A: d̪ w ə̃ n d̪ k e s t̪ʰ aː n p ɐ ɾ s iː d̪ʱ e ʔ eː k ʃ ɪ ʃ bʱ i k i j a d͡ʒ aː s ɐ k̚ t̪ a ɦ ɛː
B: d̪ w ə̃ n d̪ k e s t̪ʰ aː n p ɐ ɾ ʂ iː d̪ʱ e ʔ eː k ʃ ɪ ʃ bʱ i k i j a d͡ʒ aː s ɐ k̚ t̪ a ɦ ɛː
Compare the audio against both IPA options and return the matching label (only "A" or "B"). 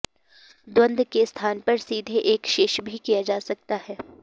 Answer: A